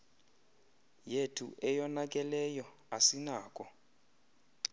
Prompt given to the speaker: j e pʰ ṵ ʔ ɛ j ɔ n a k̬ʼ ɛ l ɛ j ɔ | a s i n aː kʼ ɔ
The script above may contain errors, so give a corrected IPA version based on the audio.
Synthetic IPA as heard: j e tʰ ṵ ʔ ɛ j ɔ n a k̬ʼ ɛ l ɛ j ɔ | a s i n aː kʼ ɔ